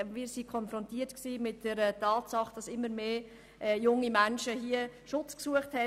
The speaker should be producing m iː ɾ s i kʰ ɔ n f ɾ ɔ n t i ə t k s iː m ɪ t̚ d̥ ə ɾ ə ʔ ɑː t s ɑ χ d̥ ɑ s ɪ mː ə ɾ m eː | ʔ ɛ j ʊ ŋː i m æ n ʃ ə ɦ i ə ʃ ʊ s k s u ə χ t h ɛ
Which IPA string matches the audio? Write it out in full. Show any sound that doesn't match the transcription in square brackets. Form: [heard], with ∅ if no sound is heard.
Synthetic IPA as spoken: m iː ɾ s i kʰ ɔ n f ɾ ɔ n t i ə t k s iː m ɪ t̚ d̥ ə ɾ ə [t] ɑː t s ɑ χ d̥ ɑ s ɪ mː ə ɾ m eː | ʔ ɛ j ʊ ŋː i m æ n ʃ ə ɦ i ə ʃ ʊ [t͡s] k s u ə χ t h ɛ